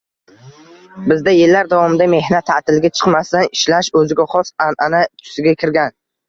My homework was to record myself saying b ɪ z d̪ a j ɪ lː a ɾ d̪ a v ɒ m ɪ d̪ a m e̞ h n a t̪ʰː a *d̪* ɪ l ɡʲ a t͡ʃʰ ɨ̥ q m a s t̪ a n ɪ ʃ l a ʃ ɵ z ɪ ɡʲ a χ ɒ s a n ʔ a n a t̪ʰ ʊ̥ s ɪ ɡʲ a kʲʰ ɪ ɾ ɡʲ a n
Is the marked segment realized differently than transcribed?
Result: yes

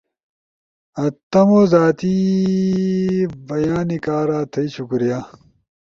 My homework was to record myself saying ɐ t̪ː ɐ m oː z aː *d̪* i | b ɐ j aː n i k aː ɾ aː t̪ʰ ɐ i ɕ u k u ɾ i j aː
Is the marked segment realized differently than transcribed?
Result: yes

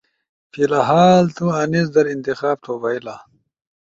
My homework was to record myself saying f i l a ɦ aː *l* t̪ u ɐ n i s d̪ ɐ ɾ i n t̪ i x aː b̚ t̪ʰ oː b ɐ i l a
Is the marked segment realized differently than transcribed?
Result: no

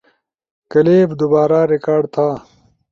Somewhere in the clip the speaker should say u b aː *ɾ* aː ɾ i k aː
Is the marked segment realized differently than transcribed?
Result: no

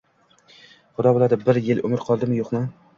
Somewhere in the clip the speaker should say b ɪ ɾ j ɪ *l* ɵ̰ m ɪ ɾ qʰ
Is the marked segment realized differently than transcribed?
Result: no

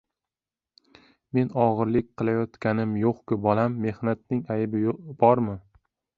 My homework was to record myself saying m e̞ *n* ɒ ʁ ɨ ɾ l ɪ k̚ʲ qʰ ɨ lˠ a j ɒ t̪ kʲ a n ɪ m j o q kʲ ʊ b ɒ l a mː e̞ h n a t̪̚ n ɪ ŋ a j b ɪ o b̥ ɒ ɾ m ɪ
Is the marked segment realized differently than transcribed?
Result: no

